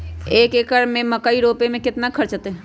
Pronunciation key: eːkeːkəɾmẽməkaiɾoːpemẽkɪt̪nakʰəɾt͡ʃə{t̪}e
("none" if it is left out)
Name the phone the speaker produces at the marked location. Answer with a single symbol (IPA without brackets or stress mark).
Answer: t̪